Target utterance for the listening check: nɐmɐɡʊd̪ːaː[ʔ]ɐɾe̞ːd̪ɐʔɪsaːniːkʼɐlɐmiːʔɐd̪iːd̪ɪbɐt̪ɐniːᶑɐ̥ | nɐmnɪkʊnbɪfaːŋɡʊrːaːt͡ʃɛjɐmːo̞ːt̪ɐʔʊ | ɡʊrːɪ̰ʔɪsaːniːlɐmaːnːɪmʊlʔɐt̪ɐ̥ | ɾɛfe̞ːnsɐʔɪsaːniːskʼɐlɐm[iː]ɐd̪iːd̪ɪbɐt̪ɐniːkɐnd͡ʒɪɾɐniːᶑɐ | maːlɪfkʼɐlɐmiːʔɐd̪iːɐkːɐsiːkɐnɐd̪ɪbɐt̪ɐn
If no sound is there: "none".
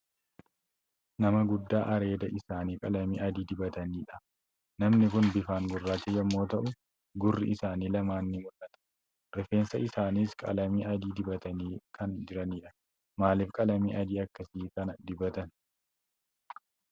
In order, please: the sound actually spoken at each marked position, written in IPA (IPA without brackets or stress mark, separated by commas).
ʔ, iː